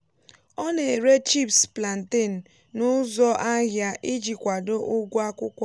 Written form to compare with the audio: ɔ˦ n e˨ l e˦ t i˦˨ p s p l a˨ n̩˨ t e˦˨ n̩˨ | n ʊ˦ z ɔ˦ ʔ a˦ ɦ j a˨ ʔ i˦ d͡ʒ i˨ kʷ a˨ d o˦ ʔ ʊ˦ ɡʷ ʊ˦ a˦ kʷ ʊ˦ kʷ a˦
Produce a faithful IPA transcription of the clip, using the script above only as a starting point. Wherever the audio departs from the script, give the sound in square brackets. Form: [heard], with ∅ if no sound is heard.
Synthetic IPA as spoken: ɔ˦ n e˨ [ɾ] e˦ [t͡ʃ] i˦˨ p s p l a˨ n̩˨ t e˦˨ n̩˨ | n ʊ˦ z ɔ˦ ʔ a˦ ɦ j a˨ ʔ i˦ d͡ʒ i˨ kʷ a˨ d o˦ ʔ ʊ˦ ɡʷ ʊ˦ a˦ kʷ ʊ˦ kʷ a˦

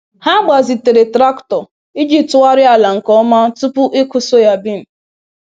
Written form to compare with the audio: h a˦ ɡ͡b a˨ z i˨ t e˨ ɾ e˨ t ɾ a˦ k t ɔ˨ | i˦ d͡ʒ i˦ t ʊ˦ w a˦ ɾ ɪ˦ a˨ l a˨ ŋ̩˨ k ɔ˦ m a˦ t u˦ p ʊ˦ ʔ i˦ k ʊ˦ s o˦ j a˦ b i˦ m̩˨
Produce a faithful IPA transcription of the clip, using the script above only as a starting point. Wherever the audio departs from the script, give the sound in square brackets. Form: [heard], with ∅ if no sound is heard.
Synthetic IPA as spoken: h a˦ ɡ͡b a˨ z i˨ t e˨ ɾ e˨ t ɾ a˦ k t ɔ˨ | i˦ d͡ʒ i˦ t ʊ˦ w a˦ ɾ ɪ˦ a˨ l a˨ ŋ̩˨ k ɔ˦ m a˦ t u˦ p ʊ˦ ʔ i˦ k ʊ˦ s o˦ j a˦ b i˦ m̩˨

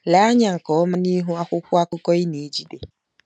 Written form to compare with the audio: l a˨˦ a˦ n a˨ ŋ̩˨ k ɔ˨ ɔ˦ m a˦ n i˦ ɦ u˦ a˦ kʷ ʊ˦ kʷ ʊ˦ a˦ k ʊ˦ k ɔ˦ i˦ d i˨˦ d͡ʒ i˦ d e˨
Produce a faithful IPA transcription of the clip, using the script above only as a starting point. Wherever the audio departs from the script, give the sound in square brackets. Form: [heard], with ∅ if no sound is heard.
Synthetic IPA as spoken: l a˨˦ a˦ [ɲ] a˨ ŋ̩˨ k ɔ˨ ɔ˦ m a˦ n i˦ ɦ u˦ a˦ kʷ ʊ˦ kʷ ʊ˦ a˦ k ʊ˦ k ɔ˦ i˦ [n] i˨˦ d͡ʒ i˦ d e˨

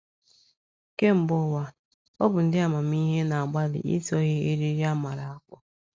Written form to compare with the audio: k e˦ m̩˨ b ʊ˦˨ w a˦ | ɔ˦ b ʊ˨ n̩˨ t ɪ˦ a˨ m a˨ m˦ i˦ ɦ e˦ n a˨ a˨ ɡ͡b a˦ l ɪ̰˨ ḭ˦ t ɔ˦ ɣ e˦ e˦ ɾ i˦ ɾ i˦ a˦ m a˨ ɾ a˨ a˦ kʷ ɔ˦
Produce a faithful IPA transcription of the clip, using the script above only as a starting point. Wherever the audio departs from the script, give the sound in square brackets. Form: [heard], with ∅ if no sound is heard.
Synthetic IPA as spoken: k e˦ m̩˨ b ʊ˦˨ w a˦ | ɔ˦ b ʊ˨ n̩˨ [d] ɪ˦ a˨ m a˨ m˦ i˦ ɦ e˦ n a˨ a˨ ɡ͡b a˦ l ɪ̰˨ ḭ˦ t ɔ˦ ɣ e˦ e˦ ɾ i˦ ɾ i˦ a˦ m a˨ ɾ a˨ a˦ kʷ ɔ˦

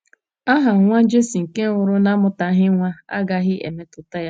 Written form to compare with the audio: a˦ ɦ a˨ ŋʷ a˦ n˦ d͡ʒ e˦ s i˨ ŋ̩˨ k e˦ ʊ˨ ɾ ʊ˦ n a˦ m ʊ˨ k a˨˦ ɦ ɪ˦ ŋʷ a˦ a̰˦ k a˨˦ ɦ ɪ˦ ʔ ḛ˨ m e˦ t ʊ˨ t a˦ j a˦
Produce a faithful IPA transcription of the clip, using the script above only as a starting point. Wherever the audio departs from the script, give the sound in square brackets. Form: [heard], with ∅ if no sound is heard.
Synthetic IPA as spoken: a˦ ɦ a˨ ŋʷ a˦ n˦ d͡ʒ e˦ s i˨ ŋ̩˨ k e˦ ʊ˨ ɾ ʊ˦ n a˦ m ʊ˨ [t] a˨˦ ɦ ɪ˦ ŋʷ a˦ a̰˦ [ɡ] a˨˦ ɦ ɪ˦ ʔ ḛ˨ m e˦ t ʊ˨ t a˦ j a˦

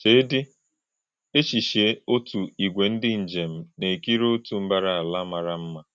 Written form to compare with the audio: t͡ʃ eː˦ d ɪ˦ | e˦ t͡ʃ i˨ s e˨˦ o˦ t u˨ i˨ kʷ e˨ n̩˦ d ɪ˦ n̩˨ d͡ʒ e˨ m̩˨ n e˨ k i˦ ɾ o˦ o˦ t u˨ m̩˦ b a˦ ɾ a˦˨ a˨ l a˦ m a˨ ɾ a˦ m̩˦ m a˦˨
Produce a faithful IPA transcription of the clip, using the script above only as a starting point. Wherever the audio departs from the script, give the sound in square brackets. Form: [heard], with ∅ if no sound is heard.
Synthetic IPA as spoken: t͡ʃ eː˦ d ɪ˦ | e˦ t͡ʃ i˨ [ʃ] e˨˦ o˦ t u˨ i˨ [ɡʷ] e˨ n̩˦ d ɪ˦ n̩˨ d͡ʒ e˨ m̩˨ n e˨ k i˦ ɾ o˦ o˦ t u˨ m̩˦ b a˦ ɾ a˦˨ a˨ l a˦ m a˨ ɾ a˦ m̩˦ m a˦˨

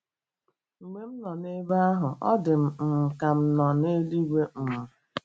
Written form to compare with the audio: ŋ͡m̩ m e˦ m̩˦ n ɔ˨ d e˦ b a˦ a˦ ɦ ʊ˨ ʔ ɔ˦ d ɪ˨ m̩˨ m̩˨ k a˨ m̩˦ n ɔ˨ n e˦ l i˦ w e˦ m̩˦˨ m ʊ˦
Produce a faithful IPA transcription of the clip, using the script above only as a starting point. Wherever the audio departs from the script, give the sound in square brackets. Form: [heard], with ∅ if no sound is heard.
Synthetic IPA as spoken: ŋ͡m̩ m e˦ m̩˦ n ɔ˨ [n] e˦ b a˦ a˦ ɦ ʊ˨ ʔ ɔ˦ d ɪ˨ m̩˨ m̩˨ k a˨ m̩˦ n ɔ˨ n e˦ l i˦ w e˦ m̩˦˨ m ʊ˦

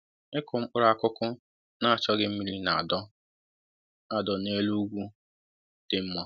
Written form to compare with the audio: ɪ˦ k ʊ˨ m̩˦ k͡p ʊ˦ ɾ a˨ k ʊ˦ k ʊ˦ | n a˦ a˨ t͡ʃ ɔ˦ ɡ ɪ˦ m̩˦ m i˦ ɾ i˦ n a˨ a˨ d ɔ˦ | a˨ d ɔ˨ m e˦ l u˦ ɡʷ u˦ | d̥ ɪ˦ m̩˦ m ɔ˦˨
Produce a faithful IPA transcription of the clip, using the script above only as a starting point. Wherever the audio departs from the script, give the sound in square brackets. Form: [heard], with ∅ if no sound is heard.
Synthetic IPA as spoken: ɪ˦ k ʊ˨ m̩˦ k͡p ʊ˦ ɾ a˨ k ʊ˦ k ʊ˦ | n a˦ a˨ t͡ʃ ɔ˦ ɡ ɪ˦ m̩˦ m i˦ ɾ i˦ n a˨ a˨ d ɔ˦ | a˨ d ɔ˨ [n] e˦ l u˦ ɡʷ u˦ | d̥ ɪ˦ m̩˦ m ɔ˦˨

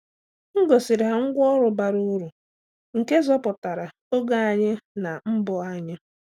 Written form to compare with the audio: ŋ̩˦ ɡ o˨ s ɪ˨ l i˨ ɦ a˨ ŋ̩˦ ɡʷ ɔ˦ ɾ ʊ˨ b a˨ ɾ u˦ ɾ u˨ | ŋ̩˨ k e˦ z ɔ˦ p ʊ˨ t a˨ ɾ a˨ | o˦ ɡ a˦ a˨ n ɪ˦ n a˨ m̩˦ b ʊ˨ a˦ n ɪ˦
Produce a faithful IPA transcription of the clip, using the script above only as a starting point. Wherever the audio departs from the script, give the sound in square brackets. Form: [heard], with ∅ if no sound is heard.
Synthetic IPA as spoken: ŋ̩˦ ɡ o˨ s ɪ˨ [ɾ] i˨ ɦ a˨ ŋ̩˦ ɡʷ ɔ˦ ɾ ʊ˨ b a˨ ɾ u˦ ɾ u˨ | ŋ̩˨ k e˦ z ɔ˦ p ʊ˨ t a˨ ɾ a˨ | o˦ ɡ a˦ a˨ [ɲ] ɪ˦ n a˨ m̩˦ b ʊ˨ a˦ [ɲ] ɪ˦

